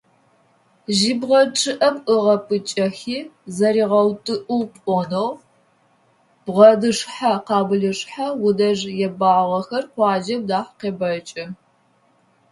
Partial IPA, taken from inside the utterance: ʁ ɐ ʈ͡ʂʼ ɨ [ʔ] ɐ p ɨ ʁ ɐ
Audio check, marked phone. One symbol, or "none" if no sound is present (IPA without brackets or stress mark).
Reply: ʔ